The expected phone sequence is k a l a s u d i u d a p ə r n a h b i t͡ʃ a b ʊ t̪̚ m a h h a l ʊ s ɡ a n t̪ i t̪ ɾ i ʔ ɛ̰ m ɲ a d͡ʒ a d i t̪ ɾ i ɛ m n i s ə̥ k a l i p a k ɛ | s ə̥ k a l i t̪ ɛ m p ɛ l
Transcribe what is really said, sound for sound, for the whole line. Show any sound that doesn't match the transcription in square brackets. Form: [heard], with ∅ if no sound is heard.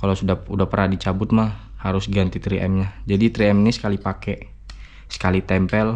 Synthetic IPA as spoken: k a l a s u d [a] u d a p ə r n a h [d] i t͡ʃ a b ʊ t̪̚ m a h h a [ɾ] ʊ s ɡ a n t̪ i t̪ ɾ i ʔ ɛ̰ m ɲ a d͡ʒ a d i t̪ ɾ i ɛ m n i s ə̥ k a l i p a k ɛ | s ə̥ k a l i t̪ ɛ m p ɛ l